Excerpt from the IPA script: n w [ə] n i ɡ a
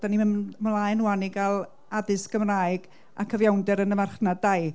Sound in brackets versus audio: incorrect: a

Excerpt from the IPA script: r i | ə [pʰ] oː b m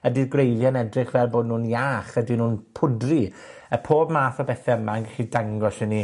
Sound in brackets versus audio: correct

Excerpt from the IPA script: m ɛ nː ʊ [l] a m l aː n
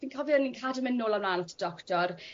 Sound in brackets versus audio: correct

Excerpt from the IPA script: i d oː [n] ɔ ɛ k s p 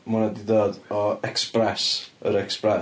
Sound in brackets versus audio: incorrect: d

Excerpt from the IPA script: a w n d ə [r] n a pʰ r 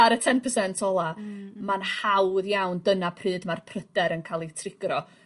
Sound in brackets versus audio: incorrect: none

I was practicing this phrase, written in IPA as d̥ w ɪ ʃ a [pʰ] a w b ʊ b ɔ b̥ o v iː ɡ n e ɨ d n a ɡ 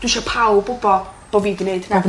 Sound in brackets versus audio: correct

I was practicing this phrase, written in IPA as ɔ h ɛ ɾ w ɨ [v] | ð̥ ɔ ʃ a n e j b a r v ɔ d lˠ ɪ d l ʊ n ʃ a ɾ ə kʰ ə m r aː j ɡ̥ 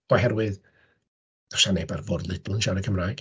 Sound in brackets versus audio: incorrect: ð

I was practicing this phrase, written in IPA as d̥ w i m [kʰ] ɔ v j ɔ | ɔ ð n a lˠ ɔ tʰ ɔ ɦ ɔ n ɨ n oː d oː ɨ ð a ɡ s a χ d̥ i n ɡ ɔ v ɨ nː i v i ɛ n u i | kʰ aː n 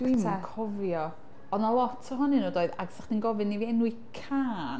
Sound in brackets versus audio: correct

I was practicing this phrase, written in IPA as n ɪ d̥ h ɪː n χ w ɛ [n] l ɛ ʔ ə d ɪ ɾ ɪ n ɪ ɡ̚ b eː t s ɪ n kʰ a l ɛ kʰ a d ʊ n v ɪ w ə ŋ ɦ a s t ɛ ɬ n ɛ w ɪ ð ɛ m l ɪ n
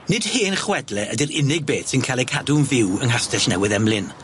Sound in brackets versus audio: incorrect: d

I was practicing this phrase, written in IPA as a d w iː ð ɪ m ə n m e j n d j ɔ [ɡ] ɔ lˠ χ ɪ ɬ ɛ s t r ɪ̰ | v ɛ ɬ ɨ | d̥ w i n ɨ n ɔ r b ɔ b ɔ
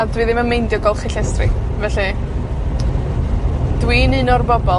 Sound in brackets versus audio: correct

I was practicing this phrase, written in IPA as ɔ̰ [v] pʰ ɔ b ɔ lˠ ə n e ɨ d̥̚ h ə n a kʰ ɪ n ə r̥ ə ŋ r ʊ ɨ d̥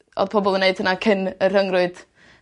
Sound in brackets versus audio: incorrect: ð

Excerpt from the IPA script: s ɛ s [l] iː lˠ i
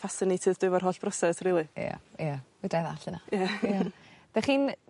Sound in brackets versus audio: incorrect: r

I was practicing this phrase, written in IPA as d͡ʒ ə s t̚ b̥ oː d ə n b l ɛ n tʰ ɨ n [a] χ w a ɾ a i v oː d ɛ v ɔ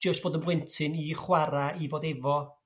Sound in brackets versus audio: incorrect: i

